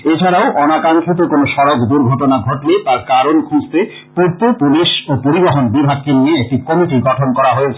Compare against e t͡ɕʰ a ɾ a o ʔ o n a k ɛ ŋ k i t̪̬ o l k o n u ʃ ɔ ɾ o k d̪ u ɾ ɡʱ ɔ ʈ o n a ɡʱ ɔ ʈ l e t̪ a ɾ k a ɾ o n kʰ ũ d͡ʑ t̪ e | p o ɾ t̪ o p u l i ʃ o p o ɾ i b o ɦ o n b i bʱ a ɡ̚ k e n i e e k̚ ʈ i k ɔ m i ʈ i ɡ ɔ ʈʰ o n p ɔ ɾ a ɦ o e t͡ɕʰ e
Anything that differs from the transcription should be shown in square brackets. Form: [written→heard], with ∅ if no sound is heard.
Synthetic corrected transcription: e t͡ɕʰ a ɾ a o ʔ [o→ɔ] n a k [ɛ→a] ŋ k i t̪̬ o [l→∅] k o n [u→o] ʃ ɔ ɾ o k d̪ u ɾ ɡʱ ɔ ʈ o n a ɡʱ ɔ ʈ l e t̪ a ɾ k a ɾ o n kʰ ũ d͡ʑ t̪ e | p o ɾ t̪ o p u l i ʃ o p o ɾ i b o ɦ o n b i bʱ a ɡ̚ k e n i e e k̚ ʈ i k ɔ m i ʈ i ɡ ɔ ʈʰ o n [p→k] ɔ ɾ a ɦ o e t͡ɕʰ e